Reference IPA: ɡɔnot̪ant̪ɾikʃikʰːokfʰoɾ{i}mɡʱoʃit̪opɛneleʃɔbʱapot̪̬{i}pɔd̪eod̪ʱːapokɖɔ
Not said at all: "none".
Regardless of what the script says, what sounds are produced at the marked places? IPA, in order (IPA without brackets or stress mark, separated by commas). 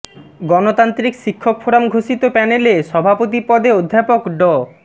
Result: a, i